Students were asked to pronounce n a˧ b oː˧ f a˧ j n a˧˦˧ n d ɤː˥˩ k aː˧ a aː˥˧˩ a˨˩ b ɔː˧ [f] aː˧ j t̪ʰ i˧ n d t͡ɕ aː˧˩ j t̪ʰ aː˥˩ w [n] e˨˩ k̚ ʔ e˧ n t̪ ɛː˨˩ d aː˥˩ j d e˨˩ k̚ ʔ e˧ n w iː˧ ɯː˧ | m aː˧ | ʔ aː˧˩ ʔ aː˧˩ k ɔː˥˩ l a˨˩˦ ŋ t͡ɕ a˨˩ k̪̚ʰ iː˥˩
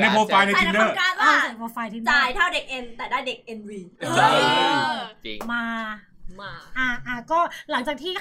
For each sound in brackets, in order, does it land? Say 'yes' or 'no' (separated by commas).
yes, no